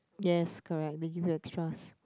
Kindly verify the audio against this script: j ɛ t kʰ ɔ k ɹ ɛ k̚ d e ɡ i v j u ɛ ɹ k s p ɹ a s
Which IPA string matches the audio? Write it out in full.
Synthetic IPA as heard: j ɛ s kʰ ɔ ɹ ɛ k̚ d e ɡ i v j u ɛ k s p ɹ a s